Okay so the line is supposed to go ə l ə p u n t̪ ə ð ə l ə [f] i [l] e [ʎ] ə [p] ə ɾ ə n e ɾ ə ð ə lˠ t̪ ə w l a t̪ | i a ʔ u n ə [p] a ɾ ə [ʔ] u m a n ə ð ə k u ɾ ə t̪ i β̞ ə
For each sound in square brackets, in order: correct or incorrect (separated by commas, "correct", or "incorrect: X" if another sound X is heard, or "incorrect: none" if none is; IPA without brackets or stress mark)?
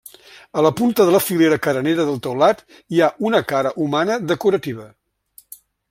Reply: correct, correct, incorrect: ɾ, incorrect: k, incorrect: k, correct